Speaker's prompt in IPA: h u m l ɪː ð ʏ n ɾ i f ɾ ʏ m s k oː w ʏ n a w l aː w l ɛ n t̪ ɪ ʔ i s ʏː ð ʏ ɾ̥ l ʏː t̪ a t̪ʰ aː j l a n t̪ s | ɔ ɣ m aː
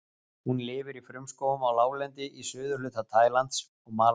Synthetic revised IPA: h u n l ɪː v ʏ ɾ i f ɾ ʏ m s k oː w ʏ m a w l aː w l ɛ n t̪ ɪ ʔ i s ʏː ð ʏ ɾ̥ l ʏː t̪ a t̪ʰ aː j l a n t̪ s | ɔ ɣ m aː